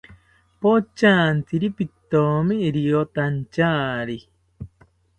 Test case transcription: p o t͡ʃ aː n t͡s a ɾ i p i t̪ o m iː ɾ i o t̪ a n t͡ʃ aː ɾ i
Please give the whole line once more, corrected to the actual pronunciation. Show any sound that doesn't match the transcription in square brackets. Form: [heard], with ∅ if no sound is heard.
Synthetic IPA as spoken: p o t͡ʃ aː n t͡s [i] ɾ i p i t̪ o m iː ɾ i o t̪ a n t͡ʃ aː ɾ i